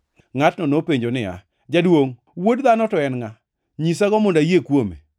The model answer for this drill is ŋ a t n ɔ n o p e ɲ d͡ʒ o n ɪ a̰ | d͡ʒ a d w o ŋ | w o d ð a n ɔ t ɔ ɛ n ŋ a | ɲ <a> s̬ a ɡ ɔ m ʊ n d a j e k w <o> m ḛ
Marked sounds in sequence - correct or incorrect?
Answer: incorrect: i, correct

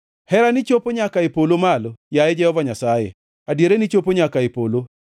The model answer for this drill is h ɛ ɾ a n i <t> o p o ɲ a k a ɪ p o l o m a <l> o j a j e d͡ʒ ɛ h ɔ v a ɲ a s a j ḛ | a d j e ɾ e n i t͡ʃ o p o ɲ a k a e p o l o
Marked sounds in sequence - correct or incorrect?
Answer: incorrect: t͡ʃ, correct

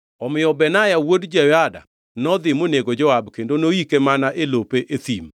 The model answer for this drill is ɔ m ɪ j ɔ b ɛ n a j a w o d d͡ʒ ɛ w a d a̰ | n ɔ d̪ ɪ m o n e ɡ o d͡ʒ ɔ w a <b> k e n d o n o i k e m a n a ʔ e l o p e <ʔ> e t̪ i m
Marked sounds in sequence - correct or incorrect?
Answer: correct, correct

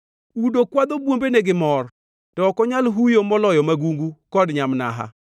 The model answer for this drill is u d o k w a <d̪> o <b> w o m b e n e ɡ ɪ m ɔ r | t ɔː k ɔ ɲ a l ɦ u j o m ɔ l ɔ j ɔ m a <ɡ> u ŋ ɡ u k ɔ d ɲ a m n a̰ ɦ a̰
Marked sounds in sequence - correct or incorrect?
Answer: correct, correct, correct

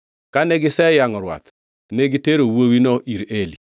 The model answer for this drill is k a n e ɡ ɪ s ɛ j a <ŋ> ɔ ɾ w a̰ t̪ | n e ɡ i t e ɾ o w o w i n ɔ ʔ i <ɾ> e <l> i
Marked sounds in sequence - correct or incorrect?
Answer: correct, correct, correct

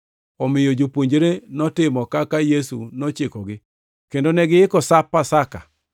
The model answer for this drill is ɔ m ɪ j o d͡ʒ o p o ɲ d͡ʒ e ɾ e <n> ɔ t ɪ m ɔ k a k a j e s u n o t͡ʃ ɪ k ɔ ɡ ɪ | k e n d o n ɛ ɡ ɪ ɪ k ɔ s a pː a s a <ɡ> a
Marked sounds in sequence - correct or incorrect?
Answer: correct, incorrect: k

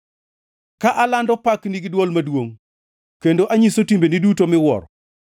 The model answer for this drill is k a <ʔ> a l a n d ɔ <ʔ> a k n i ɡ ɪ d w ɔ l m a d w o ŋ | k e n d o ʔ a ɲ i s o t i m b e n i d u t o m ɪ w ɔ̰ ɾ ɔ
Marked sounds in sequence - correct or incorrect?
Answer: correct, incorrect: p

